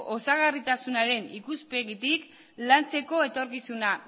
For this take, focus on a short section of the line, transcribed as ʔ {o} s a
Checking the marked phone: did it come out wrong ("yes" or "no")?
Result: no